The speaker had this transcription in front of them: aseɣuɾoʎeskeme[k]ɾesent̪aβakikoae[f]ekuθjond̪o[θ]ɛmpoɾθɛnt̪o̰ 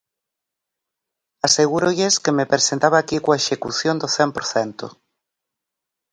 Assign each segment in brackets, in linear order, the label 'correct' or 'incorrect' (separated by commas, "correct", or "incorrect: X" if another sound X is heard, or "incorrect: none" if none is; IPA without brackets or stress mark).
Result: incorrect: p, incorrect: ʃ, correct